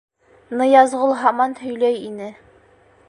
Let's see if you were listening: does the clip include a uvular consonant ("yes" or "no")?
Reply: yes